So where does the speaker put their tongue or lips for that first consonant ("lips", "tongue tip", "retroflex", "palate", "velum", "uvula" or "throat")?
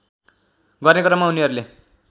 velum